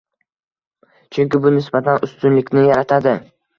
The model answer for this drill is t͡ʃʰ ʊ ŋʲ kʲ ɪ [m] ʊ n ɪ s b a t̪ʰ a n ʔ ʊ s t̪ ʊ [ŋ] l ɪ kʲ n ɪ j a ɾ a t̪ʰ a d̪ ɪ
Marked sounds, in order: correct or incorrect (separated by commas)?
incorrect, incorrect